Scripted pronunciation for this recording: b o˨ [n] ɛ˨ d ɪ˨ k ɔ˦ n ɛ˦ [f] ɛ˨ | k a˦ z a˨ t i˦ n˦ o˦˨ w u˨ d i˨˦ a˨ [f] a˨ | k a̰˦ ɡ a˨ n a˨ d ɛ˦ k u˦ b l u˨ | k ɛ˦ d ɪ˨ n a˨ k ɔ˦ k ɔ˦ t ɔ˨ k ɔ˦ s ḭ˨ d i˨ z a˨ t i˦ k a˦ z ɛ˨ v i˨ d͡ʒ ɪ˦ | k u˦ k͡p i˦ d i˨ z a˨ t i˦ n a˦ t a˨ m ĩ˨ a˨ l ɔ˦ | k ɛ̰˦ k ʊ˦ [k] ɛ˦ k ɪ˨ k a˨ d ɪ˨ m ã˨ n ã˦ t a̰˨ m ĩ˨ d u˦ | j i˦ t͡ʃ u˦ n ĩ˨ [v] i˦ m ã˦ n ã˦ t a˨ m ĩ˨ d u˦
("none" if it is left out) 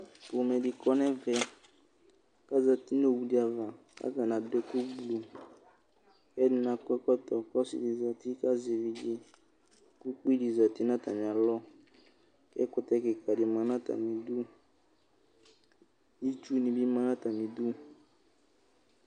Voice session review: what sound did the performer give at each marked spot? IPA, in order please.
m, v, v, t, b

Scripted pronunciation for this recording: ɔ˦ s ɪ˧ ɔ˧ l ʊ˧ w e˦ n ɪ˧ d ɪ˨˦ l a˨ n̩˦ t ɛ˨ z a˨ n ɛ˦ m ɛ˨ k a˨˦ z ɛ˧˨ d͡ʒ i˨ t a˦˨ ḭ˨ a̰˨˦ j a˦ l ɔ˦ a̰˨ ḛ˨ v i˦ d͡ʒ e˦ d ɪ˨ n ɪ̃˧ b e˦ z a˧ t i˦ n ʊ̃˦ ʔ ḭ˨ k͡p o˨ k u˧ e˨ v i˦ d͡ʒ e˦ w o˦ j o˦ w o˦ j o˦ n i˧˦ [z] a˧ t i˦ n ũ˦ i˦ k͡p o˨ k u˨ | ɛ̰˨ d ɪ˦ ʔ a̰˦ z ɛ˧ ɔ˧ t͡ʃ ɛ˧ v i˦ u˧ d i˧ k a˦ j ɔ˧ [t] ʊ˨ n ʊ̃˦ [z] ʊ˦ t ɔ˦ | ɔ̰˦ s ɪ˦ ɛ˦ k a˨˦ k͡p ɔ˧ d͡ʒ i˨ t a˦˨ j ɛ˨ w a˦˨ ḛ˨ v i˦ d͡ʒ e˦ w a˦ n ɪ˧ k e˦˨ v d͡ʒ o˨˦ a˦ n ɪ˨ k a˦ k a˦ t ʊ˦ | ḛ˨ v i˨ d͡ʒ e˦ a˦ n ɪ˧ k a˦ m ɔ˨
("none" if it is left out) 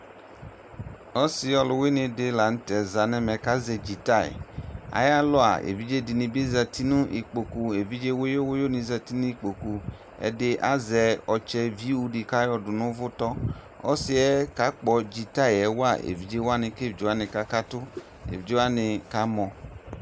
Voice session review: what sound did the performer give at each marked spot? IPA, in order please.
z, d, v

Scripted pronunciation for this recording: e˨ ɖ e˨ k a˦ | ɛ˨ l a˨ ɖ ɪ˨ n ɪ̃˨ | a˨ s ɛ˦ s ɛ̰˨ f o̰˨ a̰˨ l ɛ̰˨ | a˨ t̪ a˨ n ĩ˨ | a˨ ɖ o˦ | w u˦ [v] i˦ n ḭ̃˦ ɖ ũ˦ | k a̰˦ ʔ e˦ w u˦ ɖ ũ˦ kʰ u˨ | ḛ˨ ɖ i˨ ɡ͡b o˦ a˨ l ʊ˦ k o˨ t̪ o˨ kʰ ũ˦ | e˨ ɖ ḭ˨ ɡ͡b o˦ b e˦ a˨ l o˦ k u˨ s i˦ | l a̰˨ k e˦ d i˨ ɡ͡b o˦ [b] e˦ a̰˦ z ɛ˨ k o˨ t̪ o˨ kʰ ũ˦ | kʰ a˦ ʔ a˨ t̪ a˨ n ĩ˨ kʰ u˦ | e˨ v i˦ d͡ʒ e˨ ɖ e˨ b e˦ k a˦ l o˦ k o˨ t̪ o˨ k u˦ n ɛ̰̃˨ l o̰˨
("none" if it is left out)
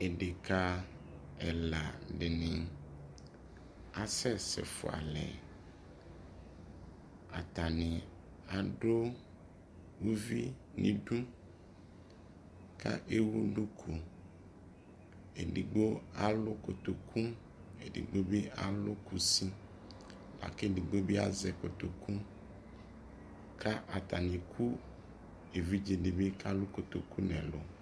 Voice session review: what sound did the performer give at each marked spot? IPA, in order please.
v, b

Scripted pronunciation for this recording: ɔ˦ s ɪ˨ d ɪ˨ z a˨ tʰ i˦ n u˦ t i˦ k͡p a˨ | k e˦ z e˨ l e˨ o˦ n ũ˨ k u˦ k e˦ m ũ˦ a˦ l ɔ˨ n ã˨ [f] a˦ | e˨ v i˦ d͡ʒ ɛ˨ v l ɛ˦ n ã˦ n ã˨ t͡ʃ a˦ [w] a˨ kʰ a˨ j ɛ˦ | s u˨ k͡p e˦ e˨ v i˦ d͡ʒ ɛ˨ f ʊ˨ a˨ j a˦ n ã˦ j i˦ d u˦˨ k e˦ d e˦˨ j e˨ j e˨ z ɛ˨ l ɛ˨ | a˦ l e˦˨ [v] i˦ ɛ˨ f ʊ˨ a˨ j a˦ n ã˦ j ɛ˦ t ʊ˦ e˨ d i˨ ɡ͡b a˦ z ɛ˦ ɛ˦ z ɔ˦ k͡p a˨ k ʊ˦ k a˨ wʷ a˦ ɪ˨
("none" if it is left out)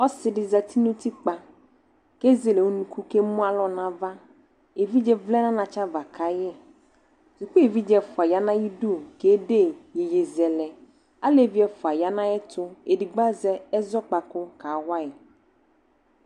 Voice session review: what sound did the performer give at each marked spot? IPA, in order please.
v, v, v

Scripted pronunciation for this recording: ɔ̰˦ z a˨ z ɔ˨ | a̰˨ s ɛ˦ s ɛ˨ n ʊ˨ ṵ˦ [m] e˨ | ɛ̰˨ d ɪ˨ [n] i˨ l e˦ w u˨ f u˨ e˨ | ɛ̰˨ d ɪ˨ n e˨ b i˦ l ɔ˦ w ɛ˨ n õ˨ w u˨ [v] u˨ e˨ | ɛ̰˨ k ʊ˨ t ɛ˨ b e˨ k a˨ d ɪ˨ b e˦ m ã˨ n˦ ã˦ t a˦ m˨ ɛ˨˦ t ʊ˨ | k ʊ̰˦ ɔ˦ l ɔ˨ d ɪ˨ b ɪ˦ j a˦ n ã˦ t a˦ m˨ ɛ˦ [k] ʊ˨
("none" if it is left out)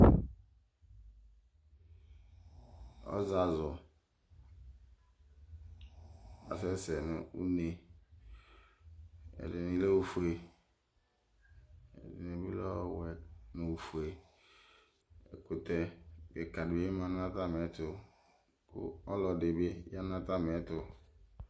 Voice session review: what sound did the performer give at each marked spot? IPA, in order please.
n, n, f, t

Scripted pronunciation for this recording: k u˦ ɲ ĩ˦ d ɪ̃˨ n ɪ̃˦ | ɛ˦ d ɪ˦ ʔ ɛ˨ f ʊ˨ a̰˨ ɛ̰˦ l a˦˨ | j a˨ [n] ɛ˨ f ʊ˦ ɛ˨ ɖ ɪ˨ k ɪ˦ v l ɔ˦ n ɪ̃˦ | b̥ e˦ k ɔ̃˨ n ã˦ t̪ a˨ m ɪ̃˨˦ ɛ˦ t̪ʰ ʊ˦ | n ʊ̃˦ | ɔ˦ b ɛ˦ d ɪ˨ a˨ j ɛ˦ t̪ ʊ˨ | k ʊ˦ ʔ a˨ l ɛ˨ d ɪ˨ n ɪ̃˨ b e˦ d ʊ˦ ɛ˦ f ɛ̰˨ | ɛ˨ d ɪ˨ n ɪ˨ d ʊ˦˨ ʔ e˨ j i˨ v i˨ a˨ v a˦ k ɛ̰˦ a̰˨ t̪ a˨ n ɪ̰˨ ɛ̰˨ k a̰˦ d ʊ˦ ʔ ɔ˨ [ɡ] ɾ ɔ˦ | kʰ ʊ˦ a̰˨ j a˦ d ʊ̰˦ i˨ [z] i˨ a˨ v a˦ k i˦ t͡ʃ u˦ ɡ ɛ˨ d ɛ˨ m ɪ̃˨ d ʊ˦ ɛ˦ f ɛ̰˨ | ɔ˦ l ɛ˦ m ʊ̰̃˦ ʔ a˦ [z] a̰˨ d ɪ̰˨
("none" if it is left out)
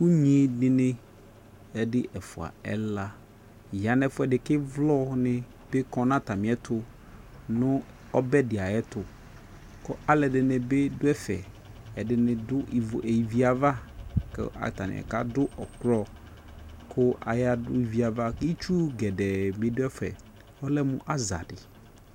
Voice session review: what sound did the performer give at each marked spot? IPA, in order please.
n, k, v, z

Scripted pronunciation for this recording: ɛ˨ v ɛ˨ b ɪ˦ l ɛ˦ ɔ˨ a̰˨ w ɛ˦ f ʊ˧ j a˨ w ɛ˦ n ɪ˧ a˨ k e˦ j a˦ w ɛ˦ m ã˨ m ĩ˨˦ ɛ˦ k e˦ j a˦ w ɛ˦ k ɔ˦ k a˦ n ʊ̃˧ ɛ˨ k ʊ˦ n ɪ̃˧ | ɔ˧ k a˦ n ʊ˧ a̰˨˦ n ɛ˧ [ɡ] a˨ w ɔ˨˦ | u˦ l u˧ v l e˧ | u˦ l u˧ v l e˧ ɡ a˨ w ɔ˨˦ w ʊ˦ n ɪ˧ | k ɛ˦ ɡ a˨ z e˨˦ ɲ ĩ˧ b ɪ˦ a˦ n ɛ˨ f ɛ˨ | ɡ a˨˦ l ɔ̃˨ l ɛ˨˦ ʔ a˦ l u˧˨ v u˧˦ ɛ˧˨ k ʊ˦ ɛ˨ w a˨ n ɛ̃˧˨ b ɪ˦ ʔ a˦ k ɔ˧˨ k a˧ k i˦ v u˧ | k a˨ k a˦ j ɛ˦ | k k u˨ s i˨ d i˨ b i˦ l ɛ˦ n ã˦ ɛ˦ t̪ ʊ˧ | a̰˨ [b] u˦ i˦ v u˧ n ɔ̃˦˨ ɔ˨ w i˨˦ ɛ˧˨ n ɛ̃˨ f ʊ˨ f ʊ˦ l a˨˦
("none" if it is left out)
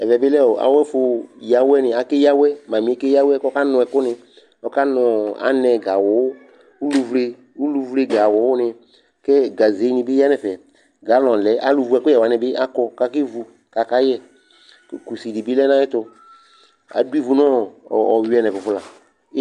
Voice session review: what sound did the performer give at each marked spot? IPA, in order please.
ɡ, d

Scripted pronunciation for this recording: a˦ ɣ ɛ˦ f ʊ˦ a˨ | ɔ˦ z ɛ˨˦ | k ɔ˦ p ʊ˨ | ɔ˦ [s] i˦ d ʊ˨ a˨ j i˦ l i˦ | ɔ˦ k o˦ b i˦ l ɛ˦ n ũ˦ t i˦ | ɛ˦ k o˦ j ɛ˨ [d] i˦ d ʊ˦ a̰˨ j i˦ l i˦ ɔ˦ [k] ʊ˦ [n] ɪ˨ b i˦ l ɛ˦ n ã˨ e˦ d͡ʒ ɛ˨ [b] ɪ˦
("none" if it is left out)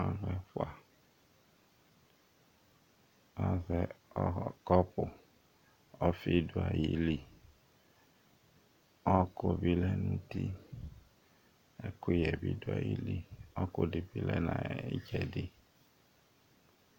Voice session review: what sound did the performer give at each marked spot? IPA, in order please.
f, b, k, d, d

